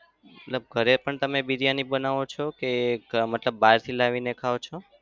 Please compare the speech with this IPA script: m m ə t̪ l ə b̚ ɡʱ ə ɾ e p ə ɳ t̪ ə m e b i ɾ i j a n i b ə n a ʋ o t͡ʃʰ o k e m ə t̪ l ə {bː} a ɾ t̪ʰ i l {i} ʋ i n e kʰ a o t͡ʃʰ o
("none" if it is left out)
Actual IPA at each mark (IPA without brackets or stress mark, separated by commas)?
bː, a